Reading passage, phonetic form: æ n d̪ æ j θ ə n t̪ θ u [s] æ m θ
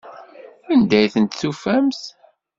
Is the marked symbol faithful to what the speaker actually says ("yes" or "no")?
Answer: no